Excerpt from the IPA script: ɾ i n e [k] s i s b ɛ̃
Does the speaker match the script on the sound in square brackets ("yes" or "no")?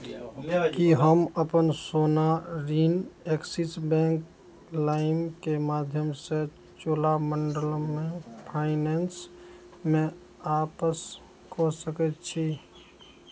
yes